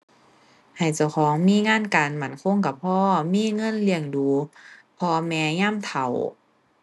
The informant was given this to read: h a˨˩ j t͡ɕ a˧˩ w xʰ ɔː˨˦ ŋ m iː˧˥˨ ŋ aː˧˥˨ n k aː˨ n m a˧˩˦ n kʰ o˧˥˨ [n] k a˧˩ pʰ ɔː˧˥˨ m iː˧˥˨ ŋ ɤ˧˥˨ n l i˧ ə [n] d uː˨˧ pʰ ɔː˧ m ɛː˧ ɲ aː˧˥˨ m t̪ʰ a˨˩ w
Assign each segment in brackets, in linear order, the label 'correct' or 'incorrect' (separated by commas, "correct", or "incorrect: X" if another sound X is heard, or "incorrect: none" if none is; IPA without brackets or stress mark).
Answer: incorrect: ŋ, incorrect: ŋ